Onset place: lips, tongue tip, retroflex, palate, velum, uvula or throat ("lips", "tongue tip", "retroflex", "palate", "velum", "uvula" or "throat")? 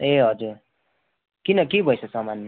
throat